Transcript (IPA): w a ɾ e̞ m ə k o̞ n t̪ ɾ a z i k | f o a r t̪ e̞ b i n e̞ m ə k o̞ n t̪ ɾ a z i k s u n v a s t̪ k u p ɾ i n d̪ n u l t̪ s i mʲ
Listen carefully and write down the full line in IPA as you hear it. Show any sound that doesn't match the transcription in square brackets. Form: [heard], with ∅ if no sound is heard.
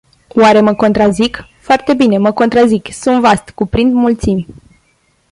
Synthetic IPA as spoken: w a ɾ e̞ m ə k o̞ n t̪ ɾ a z i k | f o a r t̪ e̞ b i n e̞ m ə k o̞ n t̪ ɾ a z i k s u n v a s t̪ k u p ɾ i n d̪ [m] u l t̪ s i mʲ